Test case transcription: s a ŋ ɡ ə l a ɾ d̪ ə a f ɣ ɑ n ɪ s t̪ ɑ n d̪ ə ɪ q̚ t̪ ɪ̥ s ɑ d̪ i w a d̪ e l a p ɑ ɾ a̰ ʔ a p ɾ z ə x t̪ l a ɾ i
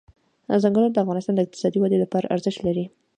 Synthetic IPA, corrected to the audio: z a ŋ ɡ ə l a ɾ d̪ ə a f ɣ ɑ n ɪ s t̪ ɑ n d̪ ə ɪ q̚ t̪ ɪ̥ s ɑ d̪ i w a d̪ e l a p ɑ ɾ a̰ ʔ a ɾ z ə ʃ t̪ l a ɾ i